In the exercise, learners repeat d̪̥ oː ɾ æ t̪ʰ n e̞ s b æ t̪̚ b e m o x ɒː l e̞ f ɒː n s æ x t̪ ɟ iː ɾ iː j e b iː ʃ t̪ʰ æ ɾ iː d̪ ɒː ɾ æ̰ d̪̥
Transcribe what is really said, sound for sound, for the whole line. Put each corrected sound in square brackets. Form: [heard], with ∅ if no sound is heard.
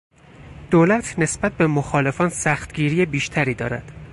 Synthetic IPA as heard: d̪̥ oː [l] æ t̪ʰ n e̞ s b æ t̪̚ b e m o x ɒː l e̞ f ɒː n s æ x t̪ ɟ iː ɾ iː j e b iː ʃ t̪ʰ æ ɾ iː d̪ ɒː ɾ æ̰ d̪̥